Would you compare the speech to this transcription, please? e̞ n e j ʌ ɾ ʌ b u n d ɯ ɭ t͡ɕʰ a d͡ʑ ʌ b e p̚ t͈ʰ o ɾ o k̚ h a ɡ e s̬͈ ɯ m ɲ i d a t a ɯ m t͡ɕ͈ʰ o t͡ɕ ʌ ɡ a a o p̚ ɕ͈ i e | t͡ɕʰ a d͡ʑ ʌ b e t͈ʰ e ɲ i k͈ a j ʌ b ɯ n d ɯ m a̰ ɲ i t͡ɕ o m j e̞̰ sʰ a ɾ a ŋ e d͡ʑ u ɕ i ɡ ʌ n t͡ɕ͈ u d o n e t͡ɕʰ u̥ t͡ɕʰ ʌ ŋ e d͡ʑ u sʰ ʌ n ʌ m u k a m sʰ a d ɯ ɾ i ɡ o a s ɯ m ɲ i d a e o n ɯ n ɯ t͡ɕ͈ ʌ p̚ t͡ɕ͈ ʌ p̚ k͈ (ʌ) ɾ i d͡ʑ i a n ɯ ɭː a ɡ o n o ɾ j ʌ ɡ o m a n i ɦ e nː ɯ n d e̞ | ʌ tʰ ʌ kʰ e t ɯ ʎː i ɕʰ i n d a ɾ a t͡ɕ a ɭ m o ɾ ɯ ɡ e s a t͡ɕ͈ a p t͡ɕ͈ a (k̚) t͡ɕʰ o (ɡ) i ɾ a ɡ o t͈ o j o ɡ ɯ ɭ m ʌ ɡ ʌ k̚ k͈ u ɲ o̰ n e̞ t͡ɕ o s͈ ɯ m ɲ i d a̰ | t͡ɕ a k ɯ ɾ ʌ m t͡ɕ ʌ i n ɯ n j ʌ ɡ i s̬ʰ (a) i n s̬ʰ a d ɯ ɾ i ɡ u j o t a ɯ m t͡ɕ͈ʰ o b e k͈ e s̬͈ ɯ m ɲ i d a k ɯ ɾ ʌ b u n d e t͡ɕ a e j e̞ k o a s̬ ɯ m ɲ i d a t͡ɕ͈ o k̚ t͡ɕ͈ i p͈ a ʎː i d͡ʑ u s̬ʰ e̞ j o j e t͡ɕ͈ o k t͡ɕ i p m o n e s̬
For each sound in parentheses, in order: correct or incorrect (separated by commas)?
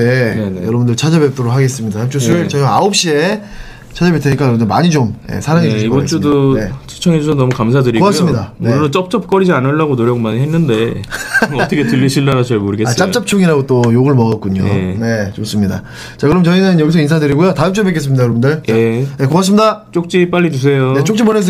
correct, incorrect, incorrect, incorrect